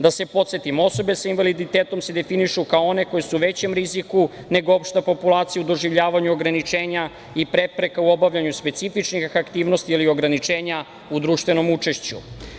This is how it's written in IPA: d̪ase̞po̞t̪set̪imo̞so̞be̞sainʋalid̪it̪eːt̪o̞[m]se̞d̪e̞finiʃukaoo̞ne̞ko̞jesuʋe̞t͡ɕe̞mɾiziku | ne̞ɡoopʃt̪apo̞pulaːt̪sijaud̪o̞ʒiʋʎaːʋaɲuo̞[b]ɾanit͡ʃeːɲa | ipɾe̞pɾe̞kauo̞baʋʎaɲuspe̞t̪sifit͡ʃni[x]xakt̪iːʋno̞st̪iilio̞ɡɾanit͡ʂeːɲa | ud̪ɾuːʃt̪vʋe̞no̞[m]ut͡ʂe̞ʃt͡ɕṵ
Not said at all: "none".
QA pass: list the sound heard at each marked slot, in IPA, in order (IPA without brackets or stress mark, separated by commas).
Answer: m, ɡ, x, m